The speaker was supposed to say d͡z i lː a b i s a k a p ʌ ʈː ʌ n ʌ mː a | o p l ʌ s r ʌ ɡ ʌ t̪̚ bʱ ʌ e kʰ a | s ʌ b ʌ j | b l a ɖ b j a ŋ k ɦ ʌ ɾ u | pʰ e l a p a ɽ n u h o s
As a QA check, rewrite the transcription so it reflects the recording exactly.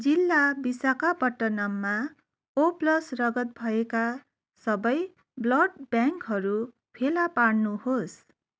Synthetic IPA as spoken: d͡z i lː a b i s a k a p ʌ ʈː ʌ n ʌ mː a | o p l ʌ s r ʌ ɡ ʌ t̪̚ bʱ ʌ e k a | s ʌ b ʌ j | b l ʌ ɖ b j a ŋ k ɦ ʌ ɾ u | pʰ e l a p a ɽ n u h o s